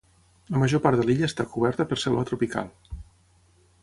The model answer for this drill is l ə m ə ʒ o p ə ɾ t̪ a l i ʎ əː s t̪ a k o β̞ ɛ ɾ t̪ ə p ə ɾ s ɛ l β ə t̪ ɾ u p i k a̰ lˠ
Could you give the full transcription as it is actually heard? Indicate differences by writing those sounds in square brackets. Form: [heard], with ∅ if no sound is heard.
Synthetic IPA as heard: l ə m ə ʒ o p [a] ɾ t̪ [ə] l i ʎ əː s t̪ a k [u] β̞ ɛ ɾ t̪ ə p ə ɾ s ɛ l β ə t̪ ɾ u p i k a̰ lˠ

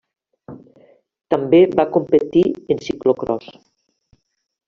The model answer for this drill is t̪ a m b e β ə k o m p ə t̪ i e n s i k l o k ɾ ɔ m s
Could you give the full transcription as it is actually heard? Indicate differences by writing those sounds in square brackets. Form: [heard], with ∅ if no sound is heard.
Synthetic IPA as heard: t̪ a m b e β [a] k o m p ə t̪ i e n s i k l o k ɾ ɔ [∅] s

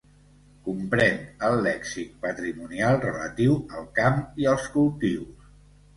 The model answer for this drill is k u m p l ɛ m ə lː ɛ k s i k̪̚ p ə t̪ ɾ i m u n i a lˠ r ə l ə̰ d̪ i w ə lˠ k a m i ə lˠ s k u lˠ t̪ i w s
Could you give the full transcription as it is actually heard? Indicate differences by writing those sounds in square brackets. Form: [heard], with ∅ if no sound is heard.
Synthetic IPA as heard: k u m p [ɾ] ɛ [n] ə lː ɛ k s i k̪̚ p ə t̪ ɾ i m u n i a lˠ r ə l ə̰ [t̪] i w ə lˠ k a m i ə lˠ s k u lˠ t̪ i w s

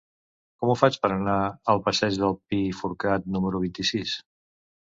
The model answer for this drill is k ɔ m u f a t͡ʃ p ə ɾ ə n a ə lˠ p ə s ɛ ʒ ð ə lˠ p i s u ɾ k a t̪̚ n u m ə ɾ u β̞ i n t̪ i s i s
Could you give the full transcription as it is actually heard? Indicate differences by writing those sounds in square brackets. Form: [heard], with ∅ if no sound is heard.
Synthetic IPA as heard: k ɔ m u f a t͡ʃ p ə ɾ ə n a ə lˠ p ə s ɛ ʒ ð ə lˠ p i [f] u ɾ k a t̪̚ n u m ə ɾ u β̞ i n t̪ i s i s

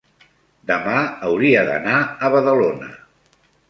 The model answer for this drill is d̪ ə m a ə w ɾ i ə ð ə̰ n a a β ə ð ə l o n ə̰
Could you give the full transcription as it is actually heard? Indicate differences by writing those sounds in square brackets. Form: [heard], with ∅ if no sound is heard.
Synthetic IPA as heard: d̪ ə m a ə w ɾ i ə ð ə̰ n a [ə] β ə ð ə l o n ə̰

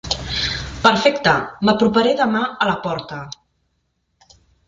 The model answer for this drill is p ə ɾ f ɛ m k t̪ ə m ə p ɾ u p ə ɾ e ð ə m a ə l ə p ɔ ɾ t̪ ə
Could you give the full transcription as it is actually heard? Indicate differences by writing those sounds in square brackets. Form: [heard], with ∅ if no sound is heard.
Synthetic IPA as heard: p ə ɾ f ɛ [∅] k t̪ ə m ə p ɾ u p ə ɾ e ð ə m a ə l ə p ɔ ɾ t̪ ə

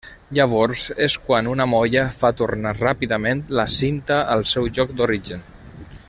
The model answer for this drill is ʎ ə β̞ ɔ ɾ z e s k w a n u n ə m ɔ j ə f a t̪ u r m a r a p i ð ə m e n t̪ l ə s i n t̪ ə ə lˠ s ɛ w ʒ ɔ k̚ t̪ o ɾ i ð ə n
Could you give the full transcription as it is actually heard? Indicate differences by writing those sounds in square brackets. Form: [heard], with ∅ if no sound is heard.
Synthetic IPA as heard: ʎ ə β̞ ɔ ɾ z e s k w a n u n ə m ɔ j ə f a t̪ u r [n] a r a p i ð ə m e n t̪ l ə s i n t̪ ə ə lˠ s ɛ w ʒ ɔ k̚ [d̪] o ɾ i [ʒ] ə n

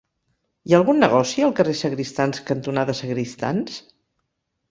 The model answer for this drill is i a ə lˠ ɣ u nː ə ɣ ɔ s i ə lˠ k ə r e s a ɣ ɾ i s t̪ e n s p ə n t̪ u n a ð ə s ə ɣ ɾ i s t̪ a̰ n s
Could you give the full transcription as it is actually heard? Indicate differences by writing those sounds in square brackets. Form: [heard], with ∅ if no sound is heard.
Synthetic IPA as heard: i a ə lˠ ɣ u nː ə ɣ ɔ s i ə lˠ k ə r e s [ə] ɣ ɾ i s t̪ [a] n s [k] ə n t̪ u n a ð ə s ə ɣ ɾ i s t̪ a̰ n s

